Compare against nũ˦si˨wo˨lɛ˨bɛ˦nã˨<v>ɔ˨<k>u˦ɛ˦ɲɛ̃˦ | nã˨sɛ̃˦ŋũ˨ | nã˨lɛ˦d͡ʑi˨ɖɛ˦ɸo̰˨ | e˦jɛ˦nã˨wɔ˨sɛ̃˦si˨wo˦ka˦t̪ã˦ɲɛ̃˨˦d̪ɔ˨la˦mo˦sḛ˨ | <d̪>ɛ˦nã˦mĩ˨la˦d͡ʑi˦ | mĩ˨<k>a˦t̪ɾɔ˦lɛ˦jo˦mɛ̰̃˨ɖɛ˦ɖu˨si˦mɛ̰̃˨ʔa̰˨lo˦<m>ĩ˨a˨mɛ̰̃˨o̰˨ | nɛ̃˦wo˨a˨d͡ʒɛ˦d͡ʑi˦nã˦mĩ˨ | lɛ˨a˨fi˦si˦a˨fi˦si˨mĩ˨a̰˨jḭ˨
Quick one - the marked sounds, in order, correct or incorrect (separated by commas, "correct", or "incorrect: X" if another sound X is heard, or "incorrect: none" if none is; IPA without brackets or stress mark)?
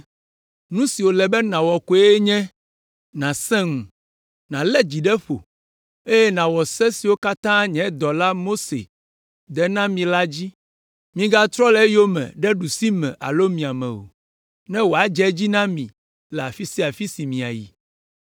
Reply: incorrect: w, correct, correct, incorrect: ɡ, correct